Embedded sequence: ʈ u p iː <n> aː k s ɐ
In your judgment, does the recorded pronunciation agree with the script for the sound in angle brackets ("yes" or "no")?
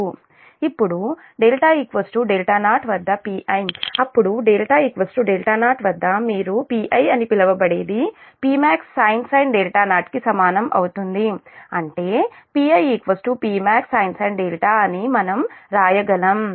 no